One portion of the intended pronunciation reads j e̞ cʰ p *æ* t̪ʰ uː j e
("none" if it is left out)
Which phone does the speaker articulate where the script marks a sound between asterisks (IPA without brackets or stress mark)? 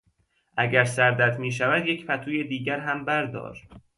æ